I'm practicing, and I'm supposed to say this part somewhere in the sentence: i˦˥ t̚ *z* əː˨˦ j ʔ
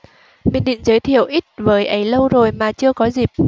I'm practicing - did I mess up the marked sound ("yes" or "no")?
yes